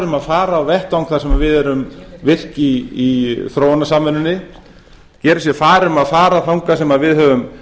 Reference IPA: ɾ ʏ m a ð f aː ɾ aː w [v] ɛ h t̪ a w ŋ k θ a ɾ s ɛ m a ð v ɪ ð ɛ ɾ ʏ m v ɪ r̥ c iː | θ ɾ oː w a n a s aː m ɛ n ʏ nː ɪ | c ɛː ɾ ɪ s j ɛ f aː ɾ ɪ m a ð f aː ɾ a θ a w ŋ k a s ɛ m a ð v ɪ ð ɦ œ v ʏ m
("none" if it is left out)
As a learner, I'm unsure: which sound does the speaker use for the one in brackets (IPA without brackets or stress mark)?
v